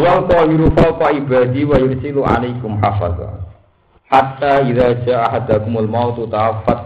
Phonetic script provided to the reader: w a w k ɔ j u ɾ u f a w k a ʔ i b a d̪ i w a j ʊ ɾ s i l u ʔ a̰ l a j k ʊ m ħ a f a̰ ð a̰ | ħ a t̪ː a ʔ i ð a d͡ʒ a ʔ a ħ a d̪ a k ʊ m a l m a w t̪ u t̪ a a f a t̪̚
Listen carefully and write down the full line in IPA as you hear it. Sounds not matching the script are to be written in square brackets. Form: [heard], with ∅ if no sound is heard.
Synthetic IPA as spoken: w a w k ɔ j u ɾ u f a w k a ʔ i b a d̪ i w a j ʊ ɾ s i l u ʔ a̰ l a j k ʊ m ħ a f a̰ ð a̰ | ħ a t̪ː a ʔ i ð a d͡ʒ a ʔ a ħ a d̪ a k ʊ m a l m a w t̪ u t̪ a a f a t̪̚